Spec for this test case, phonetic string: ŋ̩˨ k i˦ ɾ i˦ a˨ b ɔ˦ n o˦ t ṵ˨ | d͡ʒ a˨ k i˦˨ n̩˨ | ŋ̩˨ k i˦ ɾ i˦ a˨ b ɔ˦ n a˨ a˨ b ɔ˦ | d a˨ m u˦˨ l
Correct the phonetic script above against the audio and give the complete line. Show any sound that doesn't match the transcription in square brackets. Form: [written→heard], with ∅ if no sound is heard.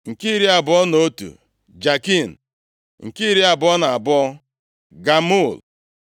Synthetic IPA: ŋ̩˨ k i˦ ɾ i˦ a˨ b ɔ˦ n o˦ t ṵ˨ | d͡ʒ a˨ k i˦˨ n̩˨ | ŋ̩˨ k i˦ ɾ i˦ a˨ b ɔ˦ n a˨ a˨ b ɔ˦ | [d→ɡ] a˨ m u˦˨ l

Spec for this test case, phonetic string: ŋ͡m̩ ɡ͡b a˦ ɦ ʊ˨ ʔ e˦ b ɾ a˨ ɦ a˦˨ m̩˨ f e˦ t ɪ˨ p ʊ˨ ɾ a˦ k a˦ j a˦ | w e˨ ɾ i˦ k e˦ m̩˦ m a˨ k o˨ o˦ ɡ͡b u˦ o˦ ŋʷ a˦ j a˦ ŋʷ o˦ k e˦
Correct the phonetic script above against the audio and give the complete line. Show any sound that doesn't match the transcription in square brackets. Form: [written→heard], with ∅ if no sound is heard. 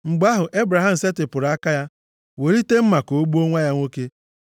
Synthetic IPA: ŋ͡m̩ ɡ͡b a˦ ɦ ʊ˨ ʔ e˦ b ɾ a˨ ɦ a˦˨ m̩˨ [f→s] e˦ t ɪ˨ p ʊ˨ ɾ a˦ k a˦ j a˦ | w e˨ ɾ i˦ [k→t] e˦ m̩˦ m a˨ k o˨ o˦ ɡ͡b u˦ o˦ ŋʷ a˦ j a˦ ŋʷ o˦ k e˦

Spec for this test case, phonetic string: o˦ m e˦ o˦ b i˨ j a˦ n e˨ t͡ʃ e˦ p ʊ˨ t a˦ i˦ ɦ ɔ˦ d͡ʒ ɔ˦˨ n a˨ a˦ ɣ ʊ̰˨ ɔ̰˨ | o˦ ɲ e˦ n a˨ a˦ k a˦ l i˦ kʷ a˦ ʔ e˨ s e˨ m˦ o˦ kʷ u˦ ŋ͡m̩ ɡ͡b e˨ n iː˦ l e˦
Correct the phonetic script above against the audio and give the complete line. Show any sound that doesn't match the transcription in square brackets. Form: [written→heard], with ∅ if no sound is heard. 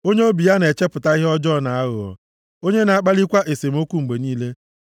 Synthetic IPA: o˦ [m→ɲ] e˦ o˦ b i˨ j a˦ n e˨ t͡ʃ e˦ p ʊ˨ t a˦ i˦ ɦ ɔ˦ d͡ʒ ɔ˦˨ n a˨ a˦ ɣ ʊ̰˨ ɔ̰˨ | o˦ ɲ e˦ n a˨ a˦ [k→k͡p] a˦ l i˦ kʷ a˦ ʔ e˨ s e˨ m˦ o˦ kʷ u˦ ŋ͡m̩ ɡ͡b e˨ n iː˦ l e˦

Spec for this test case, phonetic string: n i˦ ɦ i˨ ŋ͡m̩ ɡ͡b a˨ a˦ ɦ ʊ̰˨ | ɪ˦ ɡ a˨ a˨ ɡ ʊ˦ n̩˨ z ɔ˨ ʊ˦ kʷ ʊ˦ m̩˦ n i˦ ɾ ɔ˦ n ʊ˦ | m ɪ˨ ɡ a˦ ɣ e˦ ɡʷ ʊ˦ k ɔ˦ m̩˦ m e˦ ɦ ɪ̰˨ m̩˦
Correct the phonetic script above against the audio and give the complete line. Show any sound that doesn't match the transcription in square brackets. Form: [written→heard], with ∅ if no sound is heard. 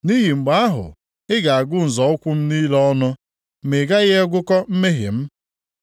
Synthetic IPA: n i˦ ɦ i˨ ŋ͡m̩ ɡ͡b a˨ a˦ ɦ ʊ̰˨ | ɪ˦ ɡ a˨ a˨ ɡ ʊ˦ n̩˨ z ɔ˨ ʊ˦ kʷ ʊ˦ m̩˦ n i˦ [ɾ→l] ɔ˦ n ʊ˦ | m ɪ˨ ɡ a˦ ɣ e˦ ɡʷ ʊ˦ k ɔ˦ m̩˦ m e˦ ɦ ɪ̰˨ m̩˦

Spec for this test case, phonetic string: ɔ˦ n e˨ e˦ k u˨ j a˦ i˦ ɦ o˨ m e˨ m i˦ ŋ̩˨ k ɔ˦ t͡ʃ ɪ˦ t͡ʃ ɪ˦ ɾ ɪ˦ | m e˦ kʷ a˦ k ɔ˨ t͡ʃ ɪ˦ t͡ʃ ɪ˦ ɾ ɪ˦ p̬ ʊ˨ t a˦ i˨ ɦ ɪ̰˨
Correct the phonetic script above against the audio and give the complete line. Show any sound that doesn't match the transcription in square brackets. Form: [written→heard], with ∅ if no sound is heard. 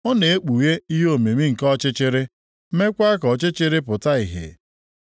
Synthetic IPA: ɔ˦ n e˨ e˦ [k→k͡p] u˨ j [a˦→e˦] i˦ ɦ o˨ m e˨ m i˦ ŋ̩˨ k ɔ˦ t͡ʃ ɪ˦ t͡ʃ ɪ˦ ɾ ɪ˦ | m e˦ kʷ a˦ k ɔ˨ t͡ʃ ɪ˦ t͡ʃ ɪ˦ ɾ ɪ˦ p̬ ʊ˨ t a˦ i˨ ɦ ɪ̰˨

